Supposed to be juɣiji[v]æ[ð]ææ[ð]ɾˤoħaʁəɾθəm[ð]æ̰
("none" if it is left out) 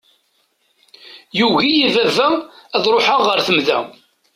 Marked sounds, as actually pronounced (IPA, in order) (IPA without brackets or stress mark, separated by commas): v, v, ð, ð